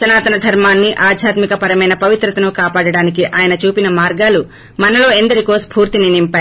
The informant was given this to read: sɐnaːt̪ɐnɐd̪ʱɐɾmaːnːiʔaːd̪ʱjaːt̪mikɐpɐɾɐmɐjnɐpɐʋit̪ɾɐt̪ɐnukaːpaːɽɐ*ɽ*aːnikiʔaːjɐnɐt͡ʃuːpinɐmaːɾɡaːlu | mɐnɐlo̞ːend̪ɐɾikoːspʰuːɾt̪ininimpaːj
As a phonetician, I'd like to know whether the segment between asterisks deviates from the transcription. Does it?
no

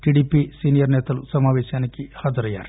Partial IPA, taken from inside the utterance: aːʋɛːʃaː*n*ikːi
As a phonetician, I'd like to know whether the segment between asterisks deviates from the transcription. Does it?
no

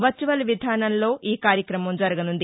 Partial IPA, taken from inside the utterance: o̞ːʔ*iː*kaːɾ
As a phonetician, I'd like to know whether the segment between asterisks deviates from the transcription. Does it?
no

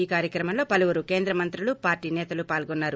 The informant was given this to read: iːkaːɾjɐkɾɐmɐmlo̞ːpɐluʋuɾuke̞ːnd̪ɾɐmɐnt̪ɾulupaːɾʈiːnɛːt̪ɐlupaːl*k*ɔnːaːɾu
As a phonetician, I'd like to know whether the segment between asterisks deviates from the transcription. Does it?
yes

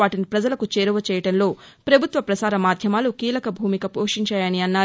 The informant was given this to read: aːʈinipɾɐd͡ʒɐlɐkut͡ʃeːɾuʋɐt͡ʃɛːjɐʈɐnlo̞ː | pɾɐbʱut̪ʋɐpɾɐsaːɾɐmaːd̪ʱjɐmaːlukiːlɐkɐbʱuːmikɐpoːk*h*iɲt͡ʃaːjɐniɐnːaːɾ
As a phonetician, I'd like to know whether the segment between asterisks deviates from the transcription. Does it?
yes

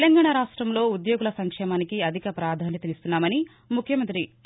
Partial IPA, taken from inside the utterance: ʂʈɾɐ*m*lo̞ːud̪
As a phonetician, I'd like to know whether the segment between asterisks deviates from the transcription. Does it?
no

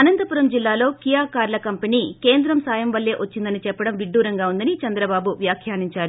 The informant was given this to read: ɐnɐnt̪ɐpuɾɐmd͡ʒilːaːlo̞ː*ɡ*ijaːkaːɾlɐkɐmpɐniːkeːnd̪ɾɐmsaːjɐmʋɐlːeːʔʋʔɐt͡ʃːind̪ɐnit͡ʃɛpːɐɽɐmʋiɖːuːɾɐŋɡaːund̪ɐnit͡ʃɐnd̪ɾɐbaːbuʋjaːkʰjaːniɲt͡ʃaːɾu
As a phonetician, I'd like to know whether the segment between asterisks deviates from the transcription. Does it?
yes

